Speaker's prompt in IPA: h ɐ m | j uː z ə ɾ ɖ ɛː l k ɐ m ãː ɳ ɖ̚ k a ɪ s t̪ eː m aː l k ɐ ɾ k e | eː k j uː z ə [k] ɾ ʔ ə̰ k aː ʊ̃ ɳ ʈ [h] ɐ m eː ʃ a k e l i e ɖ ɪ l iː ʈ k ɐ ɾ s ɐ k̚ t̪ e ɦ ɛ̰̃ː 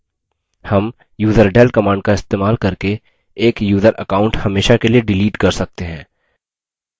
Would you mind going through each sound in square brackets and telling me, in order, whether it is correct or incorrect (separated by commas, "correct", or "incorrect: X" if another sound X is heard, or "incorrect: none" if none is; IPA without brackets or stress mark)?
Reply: incorrect: none, correct